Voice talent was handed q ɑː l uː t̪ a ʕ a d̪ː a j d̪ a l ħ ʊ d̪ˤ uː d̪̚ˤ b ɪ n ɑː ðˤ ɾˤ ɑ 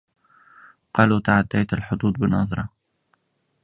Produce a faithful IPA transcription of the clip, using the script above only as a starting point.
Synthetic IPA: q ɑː l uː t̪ a ʕ a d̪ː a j t̪ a l ħ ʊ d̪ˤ uː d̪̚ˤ b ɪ n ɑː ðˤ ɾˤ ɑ